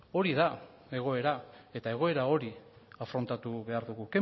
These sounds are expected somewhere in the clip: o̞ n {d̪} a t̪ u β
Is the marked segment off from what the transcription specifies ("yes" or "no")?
yes